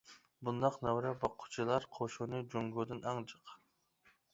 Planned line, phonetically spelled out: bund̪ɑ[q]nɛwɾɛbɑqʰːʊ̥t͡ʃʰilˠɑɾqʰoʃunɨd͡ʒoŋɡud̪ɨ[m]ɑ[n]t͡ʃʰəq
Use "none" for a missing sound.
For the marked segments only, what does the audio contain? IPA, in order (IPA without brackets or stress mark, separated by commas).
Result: q, n, ŋ